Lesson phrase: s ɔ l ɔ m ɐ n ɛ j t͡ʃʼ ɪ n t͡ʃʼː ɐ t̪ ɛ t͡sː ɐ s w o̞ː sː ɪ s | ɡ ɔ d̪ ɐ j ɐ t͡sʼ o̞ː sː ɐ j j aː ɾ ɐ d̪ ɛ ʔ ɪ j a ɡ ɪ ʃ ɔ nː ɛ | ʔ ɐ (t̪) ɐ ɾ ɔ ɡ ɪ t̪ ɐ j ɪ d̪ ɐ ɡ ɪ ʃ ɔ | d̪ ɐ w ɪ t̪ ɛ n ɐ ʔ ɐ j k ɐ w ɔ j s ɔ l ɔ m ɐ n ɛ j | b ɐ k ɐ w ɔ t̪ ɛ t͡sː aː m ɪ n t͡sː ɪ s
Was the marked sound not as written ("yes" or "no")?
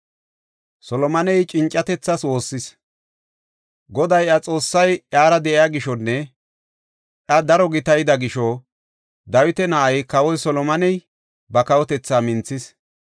yes